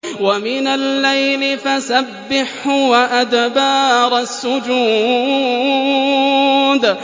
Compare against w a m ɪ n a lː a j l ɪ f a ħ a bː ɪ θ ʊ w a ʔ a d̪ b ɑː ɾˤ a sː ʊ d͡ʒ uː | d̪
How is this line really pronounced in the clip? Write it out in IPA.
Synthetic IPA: w a m ɪ n a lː a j l ɪ f a s a bː ɪ ħ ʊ w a ʔ a d̪ b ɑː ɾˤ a sː ʊ d͡ʒ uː | d̪